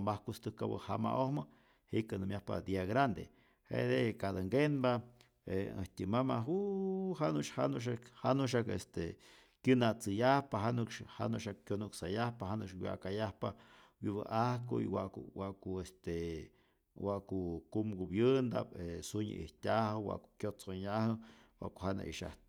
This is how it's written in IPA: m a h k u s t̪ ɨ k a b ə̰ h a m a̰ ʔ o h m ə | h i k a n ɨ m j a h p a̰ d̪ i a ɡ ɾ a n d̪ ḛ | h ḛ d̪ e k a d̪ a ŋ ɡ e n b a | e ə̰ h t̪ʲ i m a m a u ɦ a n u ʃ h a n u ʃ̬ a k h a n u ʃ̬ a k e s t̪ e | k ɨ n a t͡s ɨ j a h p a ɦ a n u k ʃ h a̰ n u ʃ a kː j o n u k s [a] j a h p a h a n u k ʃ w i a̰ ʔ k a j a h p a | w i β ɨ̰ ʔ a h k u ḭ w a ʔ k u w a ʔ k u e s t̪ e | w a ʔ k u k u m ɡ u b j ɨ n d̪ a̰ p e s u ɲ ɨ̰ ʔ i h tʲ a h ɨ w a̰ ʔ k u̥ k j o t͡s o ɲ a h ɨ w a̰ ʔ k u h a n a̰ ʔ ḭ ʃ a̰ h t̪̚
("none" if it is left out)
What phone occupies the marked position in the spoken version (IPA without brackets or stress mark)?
a